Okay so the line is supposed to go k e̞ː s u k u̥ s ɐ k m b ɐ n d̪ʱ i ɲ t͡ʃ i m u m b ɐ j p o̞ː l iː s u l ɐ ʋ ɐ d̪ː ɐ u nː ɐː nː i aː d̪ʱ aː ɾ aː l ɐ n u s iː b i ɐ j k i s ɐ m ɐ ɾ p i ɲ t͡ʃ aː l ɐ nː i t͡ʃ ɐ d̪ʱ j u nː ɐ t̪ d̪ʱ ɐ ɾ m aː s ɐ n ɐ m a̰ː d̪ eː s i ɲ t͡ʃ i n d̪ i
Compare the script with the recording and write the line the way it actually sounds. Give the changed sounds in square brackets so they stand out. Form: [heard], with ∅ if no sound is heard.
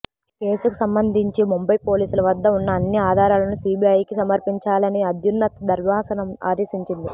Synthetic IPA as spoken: k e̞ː s u k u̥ s ɐ [∅] m b ɐ n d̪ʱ i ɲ t͡ʃ i m u m b ɐ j p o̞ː l iː s u l ɐ ʋ ɐ d̪ː ɐ u nː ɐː nː i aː d̪ʱ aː ɾ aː l ɐ n u s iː b i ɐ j k i s ɐ m ɐ ɾ p i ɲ t͡ʃ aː l ɐ [n] i [∅] ɐ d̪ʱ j u nː ɐ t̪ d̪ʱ ɐ ɾ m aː s ɐ n ɐ m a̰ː d̪ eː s i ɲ t͡ʃ i n d̪ i